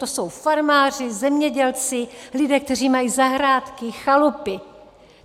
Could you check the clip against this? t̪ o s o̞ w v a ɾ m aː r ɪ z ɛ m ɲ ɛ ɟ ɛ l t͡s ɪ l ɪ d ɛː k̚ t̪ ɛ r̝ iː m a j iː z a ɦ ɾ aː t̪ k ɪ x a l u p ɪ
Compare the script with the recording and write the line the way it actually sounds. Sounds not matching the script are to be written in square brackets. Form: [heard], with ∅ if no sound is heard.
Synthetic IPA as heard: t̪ o s o̞ w [f] a ɾ m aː r ɪ z ɛ m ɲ ɛ ɟ ɛ l t͡s ɪ l ɪ d ɛː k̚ t̪ ɛ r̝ iː m a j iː z a ɦ ɾ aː t̪ k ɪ x a l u p ɪ